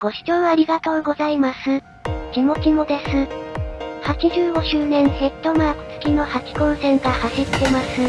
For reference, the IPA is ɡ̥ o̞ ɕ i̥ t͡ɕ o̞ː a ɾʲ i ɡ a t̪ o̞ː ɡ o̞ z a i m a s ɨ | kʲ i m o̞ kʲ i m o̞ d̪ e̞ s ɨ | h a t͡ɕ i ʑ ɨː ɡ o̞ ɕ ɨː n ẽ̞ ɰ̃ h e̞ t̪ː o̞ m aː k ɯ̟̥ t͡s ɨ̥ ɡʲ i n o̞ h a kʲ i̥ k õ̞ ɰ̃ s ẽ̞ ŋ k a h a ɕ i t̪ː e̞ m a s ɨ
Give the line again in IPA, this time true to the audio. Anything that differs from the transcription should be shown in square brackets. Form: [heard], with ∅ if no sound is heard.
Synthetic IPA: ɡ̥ o̞ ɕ i̥ t͡ɕ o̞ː a ɾʲ i ɡ a t̪ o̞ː ɡ o̞ z a i m a s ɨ | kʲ i m o̞ kʲ i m o̞ d̪ e̞ s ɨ | h a t͡ɕ i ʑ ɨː ɡ o̞ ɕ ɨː n ẽ̞ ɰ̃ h e̞ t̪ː o̞ m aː k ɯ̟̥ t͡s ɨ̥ [kʲ] i n o̞ h a kʲ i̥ k õ̞ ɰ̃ s ẽ̞ ŋ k a h a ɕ i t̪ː e̞ m a s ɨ

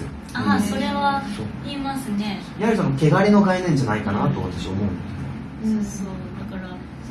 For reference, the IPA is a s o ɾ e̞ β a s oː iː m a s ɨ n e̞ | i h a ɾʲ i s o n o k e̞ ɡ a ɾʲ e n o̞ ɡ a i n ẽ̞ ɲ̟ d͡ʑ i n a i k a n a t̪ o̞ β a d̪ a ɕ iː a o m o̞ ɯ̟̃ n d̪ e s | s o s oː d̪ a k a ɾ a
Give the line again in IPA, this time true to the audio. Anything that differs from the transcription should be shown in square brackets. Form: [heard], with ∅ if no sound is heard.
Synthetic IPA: a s o ɾ e̞ β a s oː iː m a s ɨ n e̞ | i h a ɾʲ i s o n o k e̞ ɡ a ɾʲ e n o̞ ɡ a i n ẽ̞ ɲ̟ d͡ʑ [a] n a i k a n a t̪ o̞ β a [t̪] a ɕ [i] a o m o̞ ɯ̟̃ n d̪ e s | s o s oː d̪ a k a ɾ a

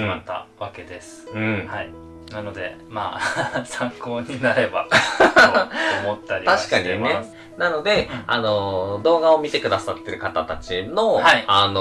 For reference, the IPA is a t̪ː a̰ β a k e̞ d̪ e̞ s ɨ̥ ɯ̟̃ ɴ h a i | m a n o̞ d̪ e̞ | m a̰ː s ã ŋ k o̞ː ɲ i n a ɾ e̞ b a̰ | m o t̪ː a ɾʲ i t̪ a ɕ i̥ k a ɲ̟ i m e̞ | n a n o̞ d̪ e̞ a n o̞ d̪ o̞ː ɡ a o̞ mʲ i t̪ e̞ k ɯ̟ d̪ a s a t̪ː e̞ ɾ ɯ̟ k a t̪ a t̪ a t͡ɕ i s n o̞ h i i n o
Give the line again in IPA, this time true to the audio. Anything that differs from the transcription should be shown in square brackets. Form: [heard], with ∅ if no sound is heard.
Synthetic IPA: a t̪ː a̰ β a k e̞ d̪ e̞ s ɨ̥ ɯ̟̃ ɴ h a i | [n] a n o̞ d̪ e̞ | m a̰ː s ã ŋ k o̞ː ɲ i n a ɾ e̞ b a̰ | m o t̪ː a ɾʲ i t̪ a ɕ i̥ k a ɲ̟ i [n] e̞ | n a n o̞ d̪ e̞ a n o̞ d̪ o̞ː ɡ a o̞ mʲ i t̪ e̞ k ɯ̟ d̪ a s a t̪ː e̞ ɾ ɯ̟ k a t̪ a t̪ a t͡ɕ i [∅] n o̞ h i [a] n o

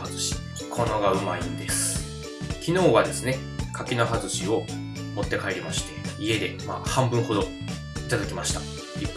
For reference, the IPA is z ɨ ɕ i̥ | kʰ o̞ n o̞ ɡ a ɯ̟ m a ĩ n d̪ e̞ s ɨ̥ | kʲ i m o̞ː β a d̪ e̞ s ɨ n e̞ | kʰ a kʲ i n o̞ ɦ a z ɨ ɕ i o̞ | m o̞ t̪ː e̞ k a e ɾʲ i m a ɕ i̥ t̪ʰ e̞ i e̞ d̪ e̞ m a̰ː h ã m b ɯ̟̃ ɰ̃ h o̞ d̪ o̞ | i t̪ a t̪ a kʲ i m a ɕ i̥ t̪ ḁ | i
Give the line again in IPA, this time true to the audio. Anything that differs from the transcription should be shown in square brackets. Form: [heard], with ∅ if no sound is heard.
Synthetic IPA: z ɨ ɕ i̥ | kʰ o̞ n o̞ ɡ a ɯ̟ m a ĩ n d̪ e̞ s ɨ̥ | kʲ i [n] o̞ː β a d̪ e̞ s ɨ n e̞ | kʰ a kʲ i n o̞ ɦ a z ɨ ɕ i o̞ | m o̞ t̪ː e̞ k a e ɾʲ i m a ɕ i̥ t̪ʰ e̞ i e̞ d̪ e̞ m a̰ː h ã m b ɯ̟̃ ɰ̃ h o̞ d̪ o̞ | i t̪ a [d̪] a kʲ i m a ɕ i̥ t̪ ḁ | i

